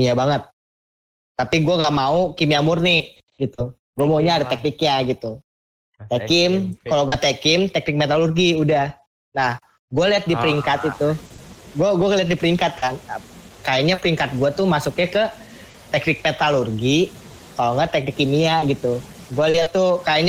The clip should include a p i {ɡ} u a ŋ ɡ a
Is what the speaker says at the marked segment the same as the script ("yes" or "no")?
yes